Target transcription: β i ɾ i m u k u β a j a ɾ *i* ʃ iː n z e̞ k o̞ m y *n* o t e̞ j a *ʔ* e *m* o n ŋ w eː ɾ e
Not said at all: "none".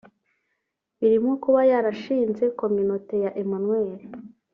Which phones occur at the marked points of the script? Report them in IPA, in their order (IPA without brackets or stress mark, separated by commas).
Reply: a, n, ʔ, m